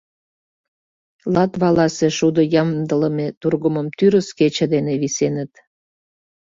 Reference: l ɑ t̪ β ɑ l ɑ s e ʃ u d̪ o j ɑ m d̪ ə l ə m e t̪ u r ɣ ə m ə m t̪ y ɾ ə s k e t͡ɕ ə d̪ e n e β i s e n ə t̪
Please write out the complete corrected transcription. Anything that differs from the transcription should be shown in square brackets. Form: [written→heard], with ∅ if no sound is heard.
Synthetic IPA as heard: l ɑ t̪ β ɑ l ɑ s e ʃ u d̪ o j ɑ m d̪ ə l ə m e t̪ u r ɣ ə m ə m t̪ y ɾ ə s k e t͡ɕ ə d̪ e n e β i s e n ə t̪